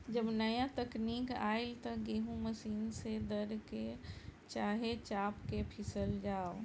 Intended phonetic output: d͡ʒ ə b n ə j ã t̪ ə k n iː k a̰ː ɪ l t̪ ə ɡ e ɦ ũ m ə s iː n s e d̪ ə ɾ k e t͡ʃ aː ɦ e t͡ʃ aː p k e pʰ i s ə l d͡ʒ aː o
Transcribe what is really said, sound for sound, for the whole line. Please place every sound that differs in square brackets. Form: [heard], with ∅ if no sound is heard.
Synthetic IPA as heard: d͡ʒ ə b n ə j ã t̪ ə k n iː k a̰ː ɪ l t̪ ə ɡ e ɦ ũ m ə s iː n s e d̪ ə ɾ k e t͡ʃ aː ɦ e t͡ʃ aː p k e pʰ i s ə l d͡ʒ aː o